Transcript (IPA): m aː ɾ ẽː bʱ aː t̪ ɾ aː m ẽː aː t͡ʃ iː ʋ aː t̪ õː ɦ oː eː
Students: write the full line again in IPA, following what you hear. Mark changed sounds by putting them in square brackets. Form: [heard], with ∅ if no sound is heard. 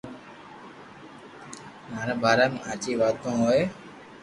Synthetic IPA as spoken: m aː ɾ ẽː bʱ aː [∅] ɾ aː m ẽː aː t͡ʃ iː ʋ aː t̪ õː ɦ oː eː